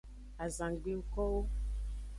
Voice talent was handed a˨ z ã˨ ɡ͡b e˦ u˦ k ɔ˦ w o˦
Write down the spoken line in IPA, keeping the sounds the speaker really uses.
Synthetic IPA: a˨ z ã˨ ɡ͡b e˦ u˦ k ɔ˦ w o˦